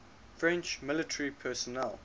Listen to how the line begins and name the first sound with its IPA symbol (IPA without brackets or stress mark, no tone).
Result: f